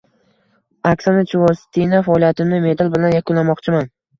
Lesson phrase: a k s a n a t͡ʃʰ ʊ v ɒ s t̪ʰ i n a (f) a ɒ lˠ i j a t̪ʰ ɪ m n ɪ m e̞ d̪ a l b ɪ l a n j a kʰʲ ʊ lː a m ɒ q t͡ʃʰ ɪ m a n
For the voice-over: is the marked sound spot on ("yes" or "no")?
yes